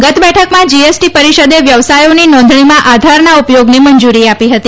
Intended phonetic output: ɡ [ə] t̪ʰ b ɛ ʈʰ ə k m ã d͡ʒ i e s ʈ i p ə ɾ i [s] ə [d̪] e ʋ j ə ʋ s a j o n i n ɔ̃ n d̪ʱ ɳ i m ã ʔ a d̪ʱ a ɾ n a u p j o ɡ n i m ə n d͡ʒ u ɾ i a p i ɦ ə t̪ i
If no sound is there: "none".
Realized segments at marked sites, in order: ə, ʃ, d̪

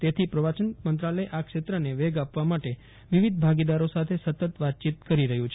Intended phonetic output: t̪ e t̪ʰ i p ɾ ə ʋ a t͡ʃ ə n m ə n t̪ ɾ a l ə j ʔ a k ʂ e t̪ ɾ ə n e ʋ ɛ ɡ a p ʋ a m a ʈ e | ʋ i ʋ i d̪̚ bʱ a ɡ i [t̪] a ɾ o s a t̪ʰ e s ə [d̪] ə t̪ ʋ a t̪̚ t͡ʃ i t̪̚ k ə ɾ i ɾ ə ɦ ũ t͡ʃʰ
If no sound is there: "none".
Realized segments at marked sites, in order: d̪, t̪

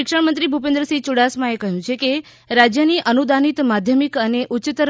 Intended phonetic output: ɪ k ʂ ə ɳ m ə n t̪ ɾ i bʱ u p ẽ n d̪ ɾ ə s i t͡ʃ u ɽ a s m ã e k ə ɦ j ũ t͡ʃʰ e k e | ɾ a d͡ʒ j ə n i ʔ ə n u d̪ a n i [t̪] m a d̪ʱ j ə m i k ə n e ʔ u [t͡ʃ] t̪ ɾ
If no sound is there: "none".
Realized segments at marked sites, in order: t̪, t͡ʃ

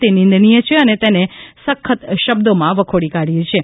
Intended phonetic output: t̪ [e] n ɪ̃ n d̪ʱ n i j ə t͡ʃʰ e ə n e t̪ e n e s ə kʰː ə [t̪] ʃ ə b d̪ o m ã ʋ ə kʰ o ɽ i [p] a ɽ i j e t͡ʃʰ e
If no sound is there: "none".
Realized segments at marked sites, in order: e, t̪, k

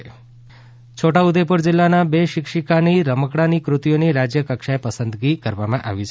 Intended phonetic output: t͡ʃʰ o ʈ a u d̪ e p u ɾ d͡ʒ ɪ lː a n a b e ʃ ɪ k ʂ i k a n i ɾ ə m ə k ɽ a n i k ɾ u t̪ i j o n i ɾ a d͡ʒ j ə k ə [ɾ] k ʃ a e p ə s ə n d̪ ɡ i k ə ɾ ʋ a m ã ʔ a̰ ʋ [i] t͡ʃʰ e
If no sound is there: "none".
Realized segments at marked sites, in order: none, i

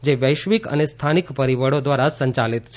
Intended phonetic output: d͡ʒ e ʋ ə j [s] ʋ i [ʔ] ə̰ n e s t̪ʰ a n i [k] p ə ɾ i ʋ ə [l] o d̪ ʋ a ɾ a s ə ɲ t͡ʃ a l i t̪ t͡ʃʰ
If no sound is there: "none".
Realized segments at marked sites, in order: ʃ, k, k, ɽ

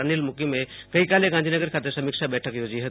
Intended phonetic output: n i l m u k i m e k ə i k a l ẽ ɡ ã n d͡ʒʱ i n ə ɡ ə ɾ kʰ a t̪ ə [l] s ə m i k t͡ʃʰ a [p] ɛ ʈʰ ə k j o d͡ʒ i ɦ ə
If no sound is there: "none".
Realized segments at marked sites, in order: ɾ, b

